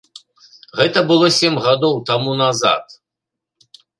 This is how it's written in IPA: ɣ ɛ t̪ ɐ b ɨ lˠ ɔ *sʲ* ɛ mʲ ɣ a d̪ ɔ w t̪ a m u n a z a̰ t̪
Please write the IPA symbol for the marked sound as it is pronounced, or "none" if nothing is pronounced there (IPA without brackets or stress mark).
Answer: sʲ